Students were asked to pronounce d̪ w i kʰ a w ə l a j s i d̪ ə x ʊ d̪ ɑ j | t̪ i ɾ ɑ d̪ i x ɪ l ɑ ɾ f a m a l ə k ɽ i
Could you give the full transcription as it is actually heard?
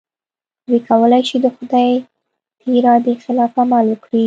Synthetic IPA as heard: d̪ w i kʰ a w ə l a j ʃ i d̪ ə x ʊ d̪ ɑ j | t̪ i ɾ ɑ d̪ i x ɪ l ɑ f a m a l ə k ɽ i